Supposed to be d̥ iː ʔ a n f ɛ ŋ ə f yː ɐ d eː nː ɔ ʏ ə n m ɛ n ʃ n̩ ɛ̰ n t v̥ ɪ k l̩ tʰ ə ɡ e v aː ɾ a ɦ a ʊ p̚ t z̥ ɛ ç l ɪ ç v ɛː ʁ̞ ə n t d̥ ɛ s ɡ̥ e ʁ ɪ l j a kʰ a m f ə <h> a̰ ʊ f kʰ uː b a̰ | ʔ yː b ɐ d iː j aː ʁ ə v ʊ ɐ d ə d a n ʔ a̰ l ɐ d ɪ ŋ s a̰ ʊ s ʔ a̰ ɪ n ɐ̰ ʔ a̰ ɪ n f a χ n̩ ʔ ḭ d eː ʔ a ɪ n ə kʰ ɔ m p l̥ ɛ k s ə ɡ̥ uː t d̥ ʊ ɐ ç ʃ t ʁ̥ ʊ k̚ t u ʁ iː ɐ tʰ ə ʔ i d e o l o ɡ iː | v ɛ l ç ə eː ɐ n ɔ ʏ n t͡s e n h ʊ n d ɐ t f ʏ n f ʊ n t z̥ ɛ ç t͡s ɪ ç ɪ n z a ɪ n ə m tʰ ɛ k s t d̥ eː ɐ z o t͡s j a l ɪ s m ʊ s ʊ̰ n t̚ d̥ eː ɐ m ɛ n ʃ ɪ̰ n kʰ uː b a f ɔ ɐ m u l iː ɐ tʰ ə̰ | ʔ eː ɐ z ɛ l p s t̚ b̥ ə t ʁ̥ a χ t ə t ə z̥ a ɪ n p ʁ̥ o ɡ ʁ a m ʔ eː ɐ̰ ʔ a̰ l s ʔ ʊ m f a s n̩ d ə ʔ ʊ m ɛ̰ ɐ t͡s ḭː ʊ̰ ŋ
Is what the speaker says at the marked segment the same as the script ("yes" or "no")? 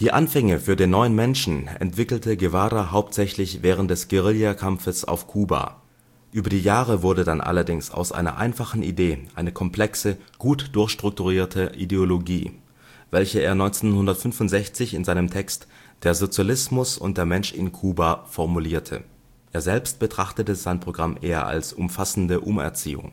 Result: no